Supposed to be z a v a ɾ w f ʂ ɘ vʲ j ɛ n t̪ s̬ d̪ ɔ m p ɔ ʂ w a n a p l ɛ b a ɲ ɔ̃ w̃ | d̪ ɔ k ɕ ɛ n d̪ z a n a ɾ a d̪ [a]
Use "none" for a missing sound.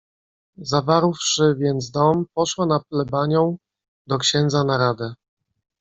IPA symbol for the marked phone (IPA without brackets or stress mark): ɛ